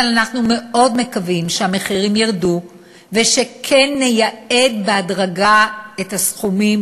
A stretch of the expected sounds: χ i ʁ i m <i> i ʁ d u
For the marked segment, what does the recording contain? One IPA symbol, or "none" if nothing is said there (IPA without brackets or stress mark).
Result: j